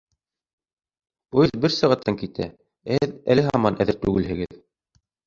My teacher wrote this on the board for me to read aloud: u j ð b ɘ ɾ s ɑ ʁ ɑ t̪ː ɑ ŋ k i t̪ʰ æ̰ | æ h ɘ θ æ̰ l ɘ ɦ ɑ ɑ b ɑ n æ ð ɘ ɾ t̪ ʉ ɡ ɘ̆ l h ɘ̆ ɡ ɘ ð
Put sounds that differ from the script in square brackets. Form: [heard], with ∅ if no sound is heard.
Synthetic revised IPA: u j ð b ɘ ɾ s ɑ ʁ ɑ t̪ː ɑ ŋ k i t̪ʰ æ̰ | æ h ɘ [ð] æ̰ l ɘ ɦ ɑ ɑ [m] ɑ n æ ð ɘ ɾ t̪ ʉ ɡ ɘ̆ l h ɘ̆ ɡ ɘ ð